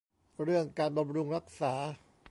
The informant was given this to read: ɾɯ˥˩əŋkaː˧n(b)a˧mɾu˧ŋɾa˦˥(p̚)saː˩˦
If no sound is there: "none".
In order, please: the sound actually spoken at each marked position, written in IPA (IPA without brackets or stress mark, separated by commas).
b, k̚